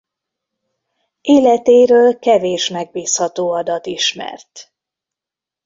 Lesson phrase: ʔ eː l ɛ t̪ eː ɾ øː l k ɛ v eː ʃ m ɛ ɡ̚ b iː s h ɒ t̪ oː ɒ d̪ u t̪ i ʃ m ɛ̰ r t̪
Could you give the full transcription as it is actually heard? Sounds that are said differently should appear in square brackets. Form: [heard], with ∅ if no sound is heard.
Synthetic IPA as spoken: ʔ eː l ɛ t̪ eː ɾ øː l k ɛ v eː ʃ m ɛ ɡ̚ b iː s h ɒ t̪ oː ɒ d̪ [ɒ] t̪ i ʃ m ɛ̰ r t̪